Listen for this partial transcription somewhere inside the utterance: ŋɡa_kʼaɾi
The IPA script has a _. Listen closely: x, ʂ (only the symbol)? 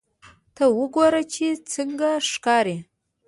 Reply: ʂ